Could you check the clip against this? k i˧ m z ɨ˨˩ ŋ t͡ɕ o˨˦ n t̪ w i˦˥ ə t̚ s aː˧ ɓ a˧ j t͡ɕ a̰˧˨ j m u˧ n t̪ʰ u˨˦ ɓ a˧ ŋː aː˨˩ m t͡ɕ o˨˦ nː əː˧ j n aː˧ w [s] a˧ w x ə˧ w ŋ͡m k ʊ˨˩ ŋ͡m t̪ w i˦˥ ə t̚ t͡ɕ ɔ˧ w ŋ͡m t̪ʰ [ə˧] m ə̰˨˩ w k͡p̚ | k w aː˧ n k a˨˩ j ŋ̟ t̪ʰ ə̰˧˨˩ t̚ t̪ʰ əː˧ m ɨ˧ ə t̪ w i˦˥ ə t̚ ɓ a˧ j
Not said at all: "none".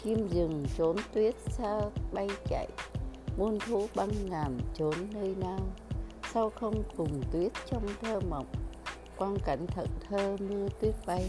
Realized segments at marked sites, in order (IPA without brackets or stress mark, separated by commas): s, əː˧